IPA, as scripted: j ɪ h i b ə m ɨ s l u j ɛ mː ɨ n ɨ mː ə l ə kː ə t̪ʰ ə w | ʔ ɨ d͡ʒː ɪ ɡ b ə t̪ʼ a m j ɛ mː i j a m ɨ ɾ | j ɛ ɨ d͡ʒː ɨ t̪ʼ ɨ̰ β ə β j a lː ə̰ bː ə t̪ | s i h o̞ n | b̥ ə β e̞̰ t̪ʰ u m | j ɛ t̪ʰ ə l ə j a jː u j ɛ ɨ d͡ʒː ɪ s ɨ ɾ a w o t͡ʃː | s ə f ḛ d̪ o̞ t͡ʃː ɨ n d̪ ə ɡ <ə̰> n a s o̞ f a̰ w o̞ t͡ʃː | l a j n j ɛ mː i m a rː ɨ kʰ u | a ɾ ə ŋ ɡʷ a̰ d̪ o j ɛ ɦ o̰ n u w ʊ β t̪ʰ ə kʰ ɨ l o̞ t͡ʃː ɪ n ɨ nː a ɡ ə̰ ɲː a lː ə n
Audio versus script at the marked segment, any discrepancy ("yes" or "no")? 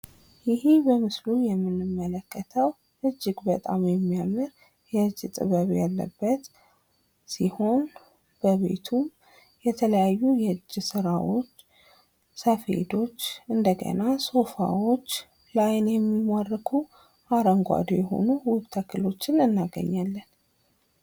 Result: no